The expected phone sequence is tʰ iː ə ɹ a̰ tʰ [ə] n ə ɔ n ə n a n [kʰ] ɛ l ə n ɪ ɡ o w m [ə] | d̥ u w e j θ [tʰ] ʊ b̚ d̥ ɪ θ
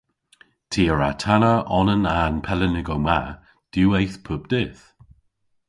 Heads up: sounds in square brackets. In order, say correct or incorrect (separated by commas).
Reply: incorrect, incorrect, incorrect, incorrect